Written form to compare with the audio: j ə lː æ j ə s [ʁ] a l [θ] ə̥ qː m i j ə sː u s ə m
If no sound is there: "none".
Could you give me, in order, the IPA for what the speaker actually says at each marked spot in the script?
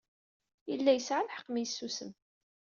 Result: ʕ, ħ

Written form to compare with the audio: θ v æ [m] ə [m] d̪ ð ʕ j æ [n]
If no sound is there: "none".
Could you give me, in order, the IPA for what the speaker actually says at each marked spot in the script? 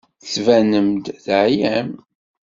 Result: n, m, m

